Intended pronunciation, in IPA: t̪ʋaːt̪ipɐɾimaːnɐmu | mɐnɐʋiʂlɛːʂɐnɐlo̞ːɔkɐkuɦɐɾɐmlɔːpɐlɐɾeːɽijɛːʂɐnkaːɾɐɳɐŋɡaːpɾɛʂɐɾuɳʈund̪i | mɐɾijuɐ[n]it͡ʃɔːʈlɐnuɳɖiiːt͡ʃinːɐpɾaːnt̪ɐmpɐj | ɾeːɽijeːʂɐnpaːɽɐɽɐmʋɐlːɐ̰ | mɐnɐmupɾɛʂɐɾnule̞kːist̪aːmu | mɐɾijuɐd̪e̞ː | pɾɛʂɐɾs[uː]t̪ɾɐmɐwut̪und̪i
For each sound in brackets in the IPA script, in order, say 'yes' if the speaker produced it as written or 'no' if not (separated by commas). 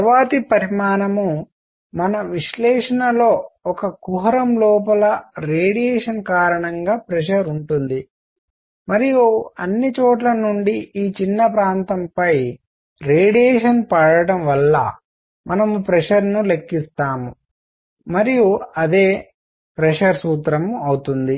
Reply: no, yes